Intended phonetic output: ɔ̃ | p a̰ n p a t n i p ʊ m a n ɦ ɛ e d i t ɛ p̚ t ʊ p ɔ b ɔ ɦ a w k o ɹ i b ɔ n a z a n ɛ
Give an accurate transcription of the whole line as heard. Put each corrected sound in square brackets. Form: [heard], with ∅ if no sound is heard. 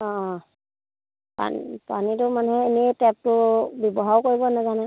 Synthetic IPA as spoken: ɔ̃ | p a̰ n p a [∅] n i [t] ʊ m a n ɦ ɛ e [n] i t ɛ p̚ t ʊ [b] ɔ b ɔ ɦ a w k o ɹ i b ɔ n a z a n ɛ